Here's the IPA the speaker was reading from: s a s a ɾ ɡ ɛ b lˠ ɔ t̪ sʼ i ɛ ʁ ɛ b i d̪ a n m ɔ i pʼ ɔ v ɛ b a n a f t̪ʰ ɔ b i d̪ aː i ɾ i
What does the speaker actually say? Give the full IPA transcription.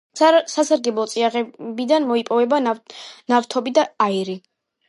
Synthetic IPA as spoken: s a s a ɾ ɡ ɛ b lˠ ɔ t̪ sʼ i a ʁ ɛ b i d̪ a n m ɔ i pʼ ɔ v ɛ b a n a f t̪ʰ ɔ b i d̪ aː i ɾ i